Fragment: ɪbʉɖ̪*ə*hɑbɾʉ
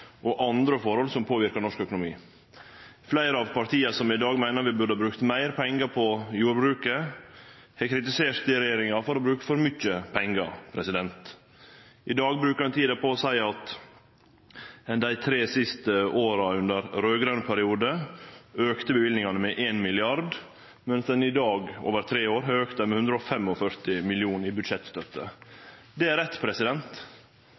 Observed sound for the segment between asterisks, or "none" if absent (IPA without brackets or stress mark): ə